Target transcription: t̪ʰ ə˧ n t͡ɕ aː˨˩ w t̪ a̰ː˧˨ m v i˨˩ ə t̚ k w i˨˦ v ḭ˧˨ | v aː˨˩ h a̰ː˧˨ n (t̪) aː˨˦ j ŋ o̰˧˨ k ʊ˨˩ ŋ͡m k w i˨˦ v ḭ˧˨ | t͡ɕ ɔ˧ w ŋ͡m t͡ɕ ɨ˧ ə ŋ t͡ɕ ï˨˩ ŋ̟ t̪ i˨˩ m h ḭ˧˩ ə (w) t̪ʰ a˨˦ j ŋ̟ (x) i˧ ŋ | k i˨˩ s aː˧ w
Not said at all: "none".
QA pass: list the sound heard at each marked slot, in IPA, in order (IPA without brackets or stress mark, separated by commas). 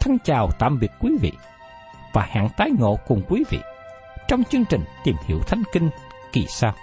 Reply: t̪, w, k